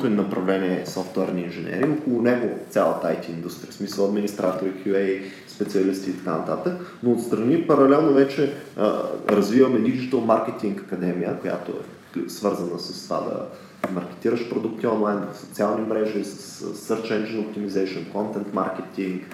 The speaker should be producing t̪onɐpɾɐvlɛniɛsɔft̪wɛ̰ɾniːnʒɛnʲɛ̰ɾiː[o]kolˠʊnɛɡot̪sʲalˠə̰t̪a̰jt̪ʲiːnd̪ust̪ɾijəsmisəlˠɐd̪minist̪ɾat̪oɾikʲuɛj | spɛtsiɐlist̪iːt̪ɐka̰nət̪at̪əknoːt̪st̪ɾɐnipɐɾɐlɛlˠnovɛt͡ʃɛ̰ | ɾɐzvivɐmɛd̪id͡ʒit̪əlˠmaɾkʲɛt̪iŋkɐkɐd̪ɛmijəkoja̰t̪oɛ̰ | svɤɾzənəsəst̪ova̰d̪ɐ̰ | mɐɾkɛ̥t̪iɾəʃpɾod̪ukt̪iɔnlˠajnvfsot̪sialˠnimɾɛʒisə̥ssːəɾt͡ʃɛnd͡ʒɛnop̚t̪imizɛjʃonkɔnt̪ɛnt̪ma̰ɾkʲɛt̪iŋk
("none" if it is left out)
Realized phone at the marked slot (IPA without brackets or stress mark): o